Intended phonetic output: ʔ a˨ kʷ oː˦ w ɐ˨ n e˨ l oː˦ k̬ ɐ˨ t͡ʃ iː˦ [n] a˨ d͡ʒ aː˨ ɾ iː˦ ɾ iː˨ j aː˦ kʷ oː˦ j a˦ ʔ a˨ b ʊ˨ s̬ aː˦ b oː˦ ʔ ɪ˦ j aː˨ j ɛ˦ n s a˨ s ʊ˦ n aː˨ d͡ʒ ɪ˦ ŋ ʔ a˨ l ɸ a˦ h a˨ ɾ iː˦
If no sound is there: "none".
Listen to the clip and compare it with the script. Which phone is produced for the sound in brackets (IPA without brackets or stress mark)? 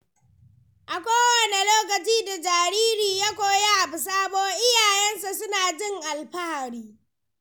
d